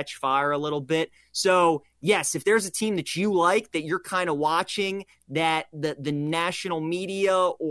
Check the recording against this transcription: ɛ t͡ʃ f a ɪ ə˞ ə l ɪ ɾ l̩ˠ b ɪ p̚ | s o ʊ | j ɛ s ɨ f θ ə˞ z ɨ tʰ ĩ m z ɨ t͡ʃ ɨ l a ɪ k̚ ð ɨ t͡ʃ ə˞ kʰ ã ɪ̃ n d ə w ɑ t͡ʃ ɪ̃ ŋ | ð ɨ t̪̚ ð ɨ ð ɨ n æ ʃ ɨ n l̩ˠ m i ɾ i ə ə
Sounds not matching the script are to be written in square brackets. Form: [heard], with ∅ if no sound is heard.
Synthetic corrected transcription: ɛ t͡ʃ f a ɪ ə˞ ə l ɪ ɾ l̩ˠ b ɪ [t̚] | s o ʊ | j ɛ s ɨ f [ð] ə˞ z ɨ tʰ ĩ m [ð] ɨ t͡ʃ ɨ l a ɪ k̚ ð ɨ t͡ʃ ə˞ kʰ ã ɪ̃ n d ə w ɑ t͡ʃ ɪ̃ ŋ | ð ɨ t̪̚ ð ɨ ð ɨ n æ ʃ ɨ n l̩ˠ m i ɾ i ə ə